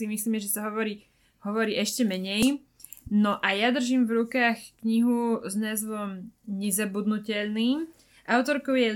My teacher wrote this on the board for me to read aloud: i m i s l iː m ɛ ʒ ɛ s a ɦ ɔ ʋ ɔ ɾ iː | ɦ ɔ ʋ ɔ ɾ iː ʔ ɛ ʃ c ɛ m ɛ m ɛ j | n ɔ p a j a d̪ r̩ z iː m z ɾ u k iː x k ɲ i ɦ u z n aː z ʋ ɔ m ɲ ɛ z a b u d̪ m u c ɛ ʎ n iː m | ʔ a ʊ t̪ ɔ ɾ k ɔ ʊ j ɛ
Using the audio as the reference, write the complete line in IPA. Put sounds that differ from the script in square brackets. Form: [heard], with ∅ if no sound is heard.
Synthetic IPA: i m i s l iː m ɛ ʒ ɛ s a ɦ ɔ ʋ ɔ ɾ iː | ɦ ɔ ʋ ɔ ɾ iː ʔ ɛ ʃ c ɛ m ɛ [ɲ] ɛ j | n ɔ [ʔ] a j a d̪ r̩ [ʒ] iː m [v] ɾ u k [aː] x k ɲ i ɦ u z n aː z ʋ ɔ m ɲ ɛ z a b u d̪ [n] u c ɛ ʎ n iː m | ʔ a ʊ t̪ ɔ ɾ k ɔ ʊ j ɛ